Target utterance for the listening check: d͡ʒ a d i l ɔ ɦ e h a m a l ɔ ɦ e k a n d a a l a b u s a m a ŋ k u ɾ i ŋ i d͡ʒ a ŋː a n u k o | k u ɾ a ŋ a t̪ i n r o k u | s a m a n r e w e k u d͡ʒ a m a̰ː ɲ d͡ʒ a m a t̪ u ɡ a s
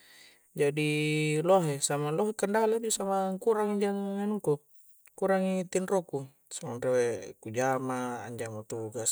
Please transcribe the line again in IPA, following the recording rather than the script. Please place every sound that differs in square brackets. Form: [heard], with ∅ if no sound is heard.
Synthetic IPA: d͡ʒ a d i l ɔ ɦ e [s] a m a l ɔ ɦ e k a n d a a l a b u s a m a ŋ k u ɾ [a] ŋ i d͡ʒ a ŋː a n u k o | k u ɾ a ŋ [i] t̪ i n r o k u | s a m a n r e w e k u d͡ʒ a m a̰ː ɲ d͡ʒ a m a t̪ u ɡ a s

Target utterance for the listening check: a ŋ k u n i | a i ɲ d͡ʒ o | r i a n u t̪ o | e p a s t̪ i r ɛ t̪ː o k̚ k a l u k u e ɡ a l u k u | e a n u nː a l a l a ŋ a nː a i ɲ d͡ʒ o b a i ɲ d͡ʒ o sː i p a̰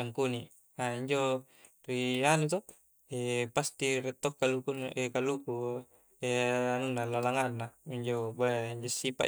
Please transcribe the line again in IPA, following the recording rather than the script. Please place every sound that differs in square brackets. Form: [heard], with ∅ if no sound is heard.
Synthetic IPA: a ŋ k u n i | a i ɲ d͡ʒ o | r i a n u t̪ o | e p a s t̪ i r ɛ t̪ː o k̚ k a l u k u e [k] a l u k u | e a n u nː a l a l a ŋ a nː a i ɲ d͡ʒ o b a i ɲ d͡ʒ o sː i p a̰

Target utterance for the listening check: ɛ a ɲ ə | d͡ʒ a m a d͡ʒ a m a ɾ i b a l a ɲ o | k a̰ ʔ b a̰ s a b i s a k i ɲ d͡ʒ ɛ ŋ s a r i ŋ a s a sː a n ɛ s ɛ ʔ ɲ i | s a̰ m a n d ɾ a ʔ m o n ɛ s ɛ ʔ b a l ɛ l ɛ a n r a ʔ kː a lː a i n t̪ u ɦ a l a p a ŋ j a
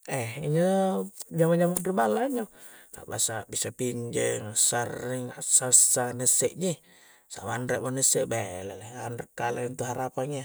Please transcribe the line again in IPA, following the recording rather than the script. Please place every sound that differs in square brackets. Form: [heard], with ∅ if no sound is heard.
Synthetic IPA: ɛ [i] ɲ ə | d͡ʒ a m a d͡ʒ a m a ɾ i b a l a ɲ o | k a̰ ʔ b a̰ s a b i s a [p] i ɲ d͡ʒ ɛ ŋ s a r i ŋ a s a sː a n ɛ s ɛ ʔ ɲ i | s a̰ m a n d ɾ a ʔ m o n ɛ s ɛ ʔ b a l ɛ l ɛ a n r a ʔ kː a [l] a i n t̪ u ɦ a [ɾ] a p a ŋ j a

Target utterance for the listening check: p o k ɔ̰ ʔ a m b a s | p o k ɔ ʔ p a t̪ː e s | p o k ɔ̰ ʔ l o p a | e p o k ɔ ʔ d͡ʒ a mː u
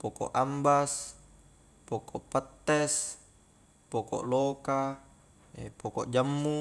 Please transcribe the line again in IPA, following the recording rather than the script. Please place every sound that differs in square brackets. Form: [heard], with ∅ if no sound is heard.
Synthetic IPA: p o k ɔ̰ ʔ a m b a s | p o k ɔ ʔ p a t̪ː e s | p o k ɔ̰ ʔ l o [k] a | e p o k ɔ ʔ d͡ʒ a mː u

